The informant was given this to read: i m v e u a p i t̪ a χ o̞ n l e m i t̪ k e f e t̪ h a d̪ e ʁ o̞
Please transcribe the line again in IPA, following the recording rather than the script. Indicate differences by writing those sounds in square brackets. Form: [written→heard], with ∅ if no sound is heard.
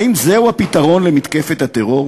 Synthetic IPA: i m [v→z] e u a p i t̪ a [χ→ʁ] o̞ n l e m i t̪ k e f e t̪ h a [d̪→t̪] e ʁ o̞

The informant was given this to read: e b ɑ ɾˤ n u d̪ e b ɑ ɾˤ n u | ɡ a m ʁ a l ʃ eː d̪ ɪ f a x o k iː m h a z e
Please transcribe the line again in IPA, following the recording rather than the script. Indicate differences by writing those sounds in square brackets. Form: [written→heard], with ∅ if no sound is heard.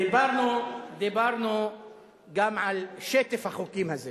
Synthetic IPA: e b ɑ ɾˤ n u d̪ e b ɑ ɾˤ n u | ɡ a m [ʁ→ʕ] a l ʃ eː [d̪→t̪] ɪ f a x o k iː m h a z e

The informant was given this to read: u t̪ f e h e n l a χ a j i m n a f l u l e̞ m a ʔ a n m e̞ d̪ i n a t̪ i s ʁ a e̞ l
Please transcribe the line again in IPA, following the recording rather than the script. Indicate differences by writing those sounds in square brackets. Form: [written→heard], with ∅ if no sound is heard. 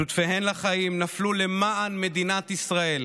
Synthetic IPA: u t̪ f e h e n l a χ a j i m n a f l u l e̞ m a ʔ a n m e̞ d̪ i n a t̪ i s ʁ a e̞ l

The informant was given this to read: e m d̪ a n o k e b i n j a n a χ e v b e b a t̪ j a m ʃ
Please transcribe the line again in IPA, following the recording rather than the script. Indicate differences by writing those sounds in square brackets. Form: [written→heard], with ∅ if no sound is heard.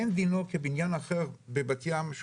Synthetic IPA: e [m→n] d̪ [a→i] n o k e b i n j a n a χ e [v→ʁ] b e b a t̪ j a m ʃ

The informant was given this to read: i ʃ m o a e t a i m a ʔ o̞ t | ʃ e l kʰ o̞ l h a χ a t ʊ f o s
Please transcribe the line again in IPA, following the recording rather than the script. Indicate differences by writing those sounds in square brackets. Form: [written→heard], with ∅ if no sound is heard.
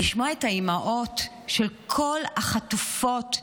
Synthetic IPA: i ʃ m o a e t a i m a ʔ o̞ t | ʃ e l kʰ o̞ l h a χ a t [ʊ→u] f o [s→t]

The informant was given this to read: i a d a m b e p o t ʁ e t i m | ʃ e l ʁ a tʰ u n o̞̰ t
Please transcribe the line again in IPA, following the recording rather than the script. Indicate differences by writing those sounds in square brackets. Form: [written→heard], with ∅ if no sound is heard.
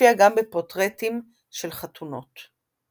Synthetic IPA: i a [d→ɡ] a m b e p o t ʁ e t i m | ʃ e l [ʁ→χ] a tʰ u n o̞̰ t

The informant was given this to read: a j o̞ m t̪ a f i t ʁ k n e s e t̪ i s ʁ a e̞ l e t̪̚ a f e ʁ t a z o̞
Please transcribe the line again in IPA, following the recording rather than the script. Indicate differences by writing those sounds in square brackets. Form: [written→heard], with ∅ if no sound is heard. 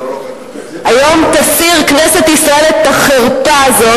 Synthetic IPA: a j o̞ m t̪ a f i [t→∅] ʁ k n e s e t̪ i s ʁ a e̞ l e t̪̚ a [f→χ] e ʁ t a z o̞

